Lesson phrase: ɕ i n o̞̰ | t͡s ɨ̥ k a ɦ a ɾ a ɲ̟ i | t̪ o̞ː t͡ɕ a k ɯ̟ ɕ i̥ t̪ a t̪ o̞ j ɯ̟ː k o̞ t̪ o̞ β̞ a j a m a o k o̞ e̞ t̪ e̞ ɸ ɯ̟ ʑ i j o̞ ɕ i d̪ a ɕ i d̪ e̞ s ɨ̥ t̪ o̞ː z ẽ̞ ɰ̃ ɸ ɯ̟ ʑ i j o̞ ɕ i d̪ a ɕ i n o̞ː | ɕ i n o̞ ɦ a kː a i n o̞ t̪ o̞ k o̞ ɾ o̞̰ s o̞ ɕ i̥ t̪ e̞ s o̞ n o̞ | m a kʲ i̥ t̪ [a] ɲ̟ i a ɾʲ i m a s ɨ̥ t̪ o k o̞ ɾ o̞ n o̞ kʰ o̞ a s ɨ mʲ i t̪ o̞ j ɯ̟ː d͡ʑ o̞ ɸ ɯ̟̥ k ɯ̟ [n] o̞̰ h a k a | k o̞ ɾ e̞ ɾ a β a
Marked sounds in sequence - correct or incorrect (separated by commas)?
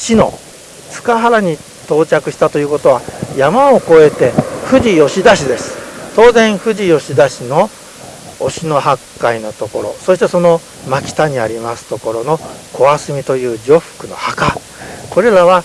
correct, correct